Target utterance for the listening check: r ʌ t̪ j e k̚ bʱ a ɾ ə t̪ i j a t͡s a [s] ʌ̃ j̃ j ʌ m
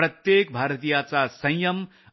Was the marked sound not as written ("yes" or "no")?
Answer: no